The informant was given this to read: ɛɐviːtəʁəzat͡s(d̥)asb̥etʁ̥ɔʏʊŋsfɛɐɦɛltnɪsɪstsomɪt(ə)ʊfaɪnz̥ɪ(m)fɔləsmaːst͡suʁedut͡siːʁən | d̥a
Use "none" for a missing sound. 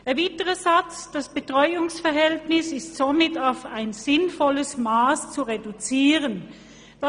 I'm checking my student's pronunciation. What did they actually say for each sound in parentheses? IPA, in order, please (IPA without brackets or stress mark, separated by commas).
d̥, a, n